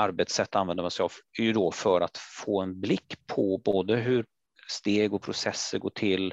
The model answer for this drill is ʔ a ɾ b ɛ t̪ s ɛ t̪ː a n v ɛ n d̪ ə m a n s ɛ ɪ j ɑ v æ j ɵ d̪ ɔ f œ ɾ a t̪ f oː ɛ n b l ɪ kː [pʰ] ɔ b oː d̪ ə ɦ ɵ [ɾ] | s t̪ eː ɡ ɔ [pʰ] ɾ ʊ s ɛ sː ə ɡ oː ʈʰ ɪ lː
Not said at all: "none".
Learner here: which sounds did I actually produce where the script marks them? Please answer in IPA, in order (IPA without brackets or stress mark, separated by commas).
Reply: pʰ, ɾ, pʰ